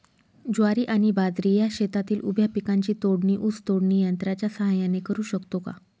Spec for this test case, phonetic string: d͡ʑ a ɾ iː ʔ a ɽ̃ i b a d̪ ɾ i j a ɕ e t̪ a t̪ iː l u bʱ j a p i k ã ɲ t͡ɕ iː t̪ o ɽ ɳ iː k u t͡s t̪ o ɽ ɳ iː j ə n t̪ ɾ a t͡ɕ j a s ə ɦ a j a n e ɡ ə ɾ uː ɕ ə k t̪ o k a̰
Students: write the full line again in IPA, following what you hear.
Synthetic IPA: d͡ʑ a ɾ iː ʔ a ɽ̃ i b a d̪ ɾ i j a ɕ e t̪ a t̪ iː l u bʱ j a p i k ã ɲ t͡ɕ iː t̪ o ɽ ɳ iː ʔ u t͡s t̪ o ɽ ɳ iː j ə n t̪ ɾ a t͡ɕ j a s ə ɦ a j a n e k ə ɾ uː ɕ ə k t̪ o k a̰